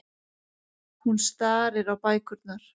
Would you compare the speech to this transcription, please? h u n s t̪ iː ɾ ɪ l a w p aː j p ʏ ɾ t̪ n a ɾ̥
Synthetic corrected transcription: h u n s t̪ aː ɾ ɪ ɾ a w p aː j k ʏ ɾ t̪ n a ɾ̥